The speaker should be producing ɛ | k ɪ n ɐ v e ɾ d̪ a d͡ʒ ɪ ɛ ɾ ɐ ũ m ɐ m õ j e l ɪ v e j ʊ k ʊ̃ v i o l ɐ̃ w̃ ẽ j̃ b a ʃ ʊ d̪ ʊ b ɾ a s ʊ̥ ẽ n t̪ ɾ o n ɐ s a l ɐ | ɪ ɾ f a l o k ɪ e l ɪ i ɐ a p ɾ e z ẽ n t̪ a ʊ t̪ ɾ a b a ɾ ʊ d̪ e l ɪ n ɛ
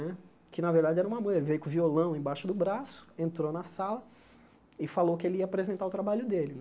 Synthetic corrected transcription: ɛ | k ɪ n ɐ v e ɾ d̪ a d͡ʒ ɪ ɛ ɾ ɐ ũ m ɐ m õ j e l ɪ v e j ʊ k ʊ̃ v i o l ɐ̃ w̃ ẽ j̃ b a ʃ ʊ d̪ ʊ b ɾ a s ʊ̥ ẽ n t̪ ɾ o n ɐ s a l ɐ | ɪ f a l o k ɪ e l ɪ i ɐ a p ɾ e z ẽ n t̪ a ʊ t̪ ɾ a b a ʎ ʊ d̪ e l ɪ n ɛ

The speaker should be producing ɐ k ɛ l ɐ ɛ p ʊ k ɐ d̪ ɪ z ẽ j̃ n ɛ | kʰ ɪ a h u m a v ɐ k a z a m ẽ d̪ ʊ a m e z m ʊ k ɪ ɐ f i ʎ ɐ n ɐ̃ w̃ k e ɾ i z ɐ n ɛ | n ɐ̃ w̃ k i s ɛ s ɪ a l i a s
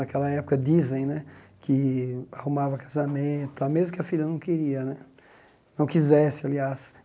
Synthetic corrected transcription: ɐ k ɛ l ɐ ɛ p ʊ k ɐ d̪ i z ẽ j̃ n ɛ | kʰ ɪ a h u m a v ɐ k a z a m ẽ t̪ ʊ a m e z m ʊ k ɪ ɐ f i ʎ ɐ n ɐ̃ w̃ k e ɾ i ɐ n ɛ | n ɐ̃ w̃ k i z ɛ s ɪ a l i a s

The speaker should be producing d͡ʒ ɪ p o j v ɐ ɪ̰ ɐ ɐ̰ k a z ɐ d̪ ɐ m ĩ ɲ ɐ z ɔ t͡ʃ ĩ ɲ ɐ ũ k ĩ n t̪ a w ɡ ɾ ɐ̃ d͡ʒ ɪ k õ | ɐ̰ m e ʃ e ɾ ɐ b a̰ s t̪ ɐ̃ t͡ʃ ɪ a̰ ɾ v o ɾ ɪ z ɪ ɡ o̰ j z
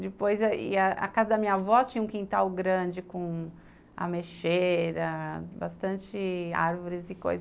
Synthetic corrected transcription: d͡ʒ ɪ p o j z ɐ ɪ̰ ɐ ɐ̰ k a z ɐ d̪ ɐ m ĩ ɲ ɐ v ɔ t͡ʃ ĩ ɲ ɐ ũ k ĩ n t̪ a w ɡ ɾ ɐ̃ d͡ʒ ɪ k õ | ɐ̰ m e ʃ e ɾ ɐ b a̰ s t̪ ɐ̃ t͡ʃ ɪ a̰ ɾ v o ɾ ɪ z ɪ k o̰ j z

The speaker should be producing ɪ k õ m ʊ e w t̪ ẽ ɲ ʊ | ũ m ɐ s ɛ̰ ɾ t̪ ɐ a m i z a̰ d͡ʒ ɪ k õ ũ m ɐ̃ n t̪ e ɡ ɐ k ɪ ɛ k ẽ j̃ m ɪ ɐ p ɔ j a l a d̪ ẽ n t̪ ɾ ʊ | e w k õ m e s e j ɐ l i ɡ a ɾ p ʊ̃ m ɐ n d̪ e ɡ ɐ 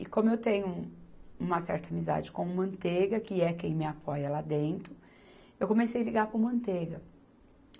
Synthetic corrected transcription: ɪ k õ m ʊ e w t̪ ẽ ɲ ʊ | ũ m ɐ s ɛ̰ ɾ t̪ ɐ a m i z a̰ d͡ʒ ɪ k õ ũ m ɐ̃ n t̪ e ɡ ɐ k ɪ ɛ k ẽ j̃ m ɪ a p ɔ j ɐ l a d̪ ẽ n t̪ ɾ ʊ | e w k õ m e s e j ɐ l i ɡ a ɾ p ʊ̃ m ɐ̃ n t̪ e ɡ ɐ

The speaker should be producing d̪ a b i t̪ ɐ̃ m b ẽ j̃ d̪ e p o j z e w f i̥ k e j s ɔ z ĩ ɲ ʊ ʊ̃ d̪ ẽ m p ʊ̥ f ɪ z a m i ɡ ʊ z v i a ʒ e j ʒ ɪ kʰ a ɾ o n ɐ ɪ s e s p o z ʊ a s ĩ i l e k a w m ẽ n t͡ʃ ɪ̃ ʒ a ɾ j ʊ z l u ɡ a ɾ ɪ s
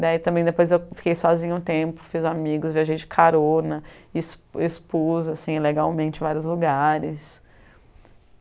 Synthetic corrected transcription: d̪ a i t̪ ɐ̃ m b ẽ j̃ d̪ e p o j z e w f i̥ k e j s ɔ z ĩ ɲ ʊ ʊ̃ t̪ ẽ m p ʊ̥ f i z a m i ɡ ʊ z v i a ʒ e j d͡ʒ ɪ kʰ a ɾ o n ɐ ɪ s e s p o z ʊ a s ĩ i l e ɡ a w m ẽ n t͡ʃ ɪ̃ v a ɾ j ʊ z l u ɡ a ɾ ɪ s

